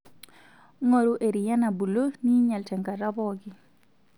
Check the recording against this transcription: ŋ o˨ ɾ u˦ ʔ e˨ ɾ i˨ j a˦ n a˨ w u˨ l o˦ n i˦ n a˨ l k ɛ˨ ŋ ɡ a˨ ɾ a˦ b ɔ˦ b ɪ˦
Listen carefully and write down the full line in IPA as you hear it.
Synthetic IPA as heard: ŋ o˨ ɾ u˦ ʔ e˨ ɾ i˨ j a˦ n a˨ b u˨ l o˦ n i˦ ɲ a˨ l t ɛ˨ ŋ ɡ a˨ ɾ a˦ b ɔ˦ ɡ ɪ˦